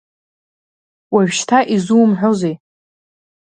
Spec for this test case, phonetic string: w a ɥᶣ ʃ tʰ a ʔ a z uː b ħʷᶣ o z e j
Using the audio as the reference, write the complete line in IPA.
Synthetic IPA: w a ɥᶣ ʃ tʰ a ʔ i z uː m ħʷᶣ o z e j